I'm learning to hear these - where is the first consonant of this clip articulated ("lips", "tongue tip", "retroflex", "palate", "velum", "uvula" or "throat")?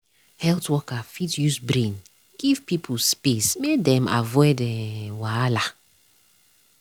throat